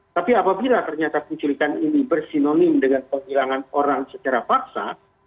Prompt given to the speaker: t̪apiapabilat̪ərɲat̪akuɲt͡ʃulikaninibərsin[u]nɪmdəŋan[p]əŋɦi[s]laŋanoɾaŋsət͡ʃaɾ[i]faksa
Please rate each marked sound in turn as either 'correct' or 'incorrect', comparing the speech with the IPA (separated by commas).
incorrect, correct, incorrect, incorrect